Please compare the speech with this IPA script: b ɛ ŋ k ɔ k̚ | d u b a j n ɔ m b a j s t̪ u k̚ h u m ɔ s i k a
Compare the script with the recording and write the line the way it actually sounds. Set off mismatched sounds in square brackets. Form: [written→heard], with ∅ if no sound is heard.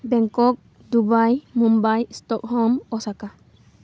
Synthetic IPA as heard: b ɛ ŋ k ɔ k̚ | d u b a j [n→m] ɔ m b a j s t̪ [u→ɔ] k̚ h [u→ɔ] m ɔ s [i→a] k a